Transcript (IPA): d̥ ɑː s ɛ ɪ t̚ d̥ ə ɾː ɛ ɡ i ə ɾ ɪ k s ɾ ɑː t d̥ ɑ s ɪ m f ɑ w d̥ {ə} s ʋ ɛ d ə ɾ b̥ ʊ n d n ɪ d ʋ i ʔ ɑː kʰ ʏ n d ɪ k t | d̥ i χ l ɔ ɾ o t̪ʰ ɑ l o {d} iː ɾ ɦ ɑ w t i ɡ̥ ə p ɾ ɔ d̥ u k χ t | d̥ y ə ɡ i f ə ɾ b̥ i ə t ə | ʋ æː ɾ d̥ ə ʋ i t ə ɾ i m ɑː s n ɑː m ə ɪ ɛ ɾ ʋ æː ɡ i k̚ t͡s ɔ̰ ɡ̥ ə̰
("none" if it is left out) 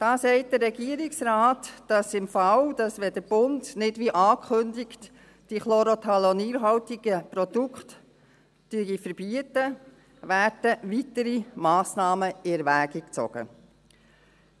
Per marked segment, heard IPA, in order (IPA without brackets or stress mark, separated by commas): ɑ, n